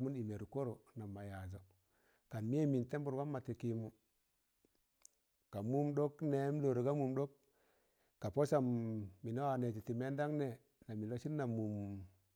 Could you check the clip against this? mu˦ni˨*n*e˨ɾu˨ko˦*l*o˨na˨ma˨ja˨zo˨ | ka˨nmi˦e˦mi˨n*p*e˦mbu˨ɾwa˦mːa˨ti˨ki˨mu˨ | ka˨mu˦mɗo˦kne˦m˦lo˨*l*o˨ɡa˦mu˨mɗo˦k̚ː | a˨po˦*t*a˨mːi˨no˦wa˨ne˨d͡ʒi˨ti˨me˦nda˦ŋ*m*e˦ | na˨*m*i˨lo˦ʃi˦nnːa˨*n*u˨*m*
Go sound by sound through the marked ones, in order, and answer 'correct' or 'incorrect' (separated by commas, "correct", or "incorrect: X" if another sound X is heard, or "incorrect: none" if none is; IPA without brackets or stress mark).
incorrect: m, incorrect: ɾ, incorrect: t, incorrect: ɾ, incorrect: s, incorrect: n, correct, incorrect: m, correct